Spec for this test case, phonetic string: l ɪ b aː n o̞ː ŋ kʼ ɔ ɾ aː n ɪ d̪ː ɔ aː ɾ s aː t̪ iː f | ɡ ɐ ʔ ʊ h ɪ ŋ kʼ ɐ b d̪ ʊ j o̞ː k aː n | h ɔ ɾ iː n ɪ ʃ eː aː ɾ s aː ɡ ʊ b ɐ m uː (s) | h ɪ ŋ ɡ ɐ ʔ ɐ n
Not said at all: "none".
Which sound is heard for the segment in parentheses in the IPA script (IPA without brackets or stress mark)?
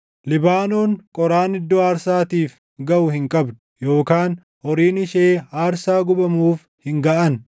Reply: f